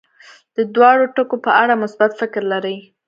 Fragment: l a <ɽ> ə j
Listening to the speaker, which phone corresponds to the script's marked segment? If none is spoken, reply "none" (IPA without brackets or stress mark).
ɾ